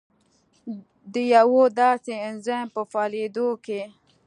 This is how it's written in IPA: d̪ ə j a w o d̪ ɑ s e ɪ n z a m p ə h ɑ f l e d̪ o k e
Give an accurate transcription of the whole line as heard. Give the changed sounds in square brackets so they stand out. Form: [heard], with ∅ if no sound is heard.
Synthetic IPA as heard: d̪ ə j a w o d̪ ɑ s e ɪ n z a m p ə [f] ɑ [∅] l e d̪ o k e